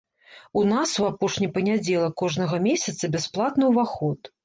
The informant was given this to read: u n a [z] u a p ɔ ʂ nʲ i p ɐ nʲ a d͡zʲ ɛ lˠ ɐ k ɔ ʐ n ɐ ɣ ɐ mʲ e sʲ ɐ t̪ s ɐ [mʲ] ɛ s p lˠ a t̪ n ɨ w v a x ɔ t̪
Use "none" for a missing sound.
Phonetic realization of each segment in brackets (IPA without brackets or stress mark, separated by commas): s, bʲ